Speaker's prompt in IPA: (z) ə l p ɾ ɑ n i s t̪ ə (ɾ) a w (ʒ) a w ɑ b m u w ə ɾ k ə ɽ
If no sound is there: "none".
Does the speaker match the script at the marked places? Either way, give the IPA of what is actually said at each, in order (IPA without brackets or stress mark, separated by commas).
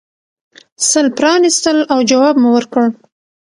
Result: s, l, d͡ʒ